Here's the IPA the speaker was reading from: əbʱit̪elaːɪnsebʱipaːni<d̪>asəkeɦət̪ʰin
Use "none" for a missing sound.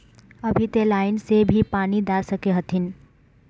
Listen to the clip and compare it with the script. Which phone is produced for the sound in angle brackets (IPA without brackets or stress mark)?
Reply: d̪